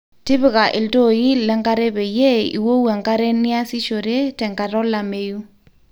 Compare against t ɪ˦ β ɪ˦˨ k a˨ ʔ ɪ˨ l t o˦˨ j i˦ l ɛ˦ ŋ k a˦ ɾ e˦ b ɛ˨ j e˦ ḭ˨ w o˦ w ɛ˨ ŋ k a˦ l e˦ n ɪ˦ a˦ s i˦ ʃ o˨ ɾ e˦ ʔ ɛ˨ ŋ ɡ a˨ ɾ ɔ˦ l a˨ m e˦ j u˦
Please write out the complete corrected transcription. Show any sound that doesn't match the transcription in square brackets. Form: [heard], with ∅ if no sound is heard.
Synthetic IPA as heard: t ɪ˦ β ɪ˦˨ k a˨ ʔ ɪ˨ l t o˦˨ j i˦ l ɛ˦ ŋ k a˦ ɾ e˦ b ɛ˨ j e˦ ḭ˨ w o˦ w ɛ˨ ŋ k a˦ [ɾ] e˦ n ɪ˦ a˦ s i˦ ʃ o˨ ɾ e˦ [t] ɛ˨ ŋ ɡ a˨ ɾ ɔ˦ l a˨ m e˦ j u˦